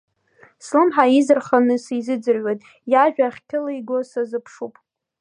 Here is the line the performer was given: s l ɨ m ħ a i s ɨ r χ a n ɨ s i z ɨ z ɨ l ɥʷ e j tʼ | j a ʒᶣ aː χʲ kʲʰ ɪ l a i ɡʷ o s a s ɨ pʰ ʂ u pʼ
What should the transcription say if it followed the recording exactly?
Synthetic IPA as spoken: s l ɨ m ħ a i z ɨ r χ a n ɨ s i z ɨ d͡z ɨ r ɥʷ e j tʼ | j a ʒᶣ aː χʲ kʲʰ ɪ l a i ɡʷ o s a z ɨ pʰ ʂ u pʼ